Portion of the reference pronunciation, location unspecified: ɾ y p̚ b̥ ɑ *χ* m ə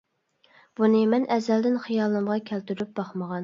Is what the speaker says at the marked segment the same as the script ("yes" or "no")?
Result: yes